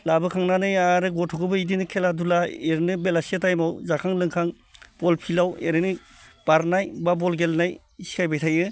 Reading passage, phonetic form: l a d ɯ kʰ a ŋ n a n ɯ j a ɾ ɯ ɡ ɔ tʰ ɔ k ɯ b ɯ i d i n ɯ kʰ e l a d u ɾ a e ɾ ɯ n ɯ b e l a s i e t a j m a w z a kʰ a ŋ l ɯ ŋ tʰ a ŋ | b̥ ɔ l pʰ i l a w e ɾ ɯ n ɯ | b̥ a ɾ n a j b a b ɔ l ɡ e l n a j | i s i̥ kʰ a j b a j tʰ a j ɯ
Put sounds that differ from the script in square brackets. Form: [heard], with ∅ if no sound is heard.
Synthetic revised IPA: l a [b] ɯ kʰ a ŋ n a n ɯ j a ɾ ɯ ɡ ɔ tʰ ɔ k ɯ b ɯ i d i n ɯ kʰ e l a d u [l] a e ɾ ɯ n ɯ b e l a s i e t a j m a w z a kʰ a ŋ l ɯ ŋ [kʰ] a ŋ | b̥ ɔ l pʰ i l a w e ɾ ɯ n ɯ | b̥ a ɾ n a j b a b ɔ l ɡ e l n a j | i s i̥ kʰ a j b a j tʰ a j ɯ